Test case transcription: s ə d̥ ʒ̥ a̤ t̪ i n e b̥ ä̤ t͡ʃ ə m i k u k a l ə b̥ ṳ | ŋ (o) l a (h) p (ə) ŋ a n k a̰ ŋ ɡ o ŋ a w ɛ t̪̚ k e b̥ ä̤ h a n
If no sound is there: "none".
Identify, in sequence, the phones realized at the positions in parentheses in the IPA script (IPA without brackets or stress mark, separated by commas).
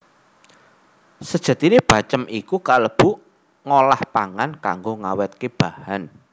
o, h, a